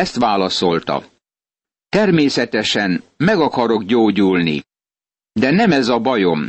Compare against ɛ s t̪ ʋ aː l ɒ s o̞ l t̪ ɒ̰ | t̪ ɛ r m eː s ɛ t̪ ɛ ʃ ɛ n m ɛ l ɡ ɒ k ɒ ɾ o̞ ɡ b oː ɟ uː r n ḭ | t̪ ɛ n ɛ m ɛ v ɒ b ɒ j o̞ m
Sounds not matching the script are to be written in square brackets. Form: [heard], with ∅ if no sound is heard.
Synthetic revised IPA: ɛ s t̪ ʋ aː l ɒ s o̞ l t̪ ɒ̰ | t̪ ɛ r m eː s ɛ t̪ ɛ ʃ ɛ n m ɛ [∅] ɡ ɒ k ɒ ɾ o̞ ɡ [ɟ] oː ɟ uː [l] n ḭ | [d̪] ɛ n ɛ m ɛ [z] ɒ b ɒ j o̞ m